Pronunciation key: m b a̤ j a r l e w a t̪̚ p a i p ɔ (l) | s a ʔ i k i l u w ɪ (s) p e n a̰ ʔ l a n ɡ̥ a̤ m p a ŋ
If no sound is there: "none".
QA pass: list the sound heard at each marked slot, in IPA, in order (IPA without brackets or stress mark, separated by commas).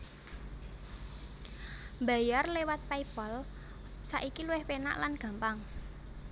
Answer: l, h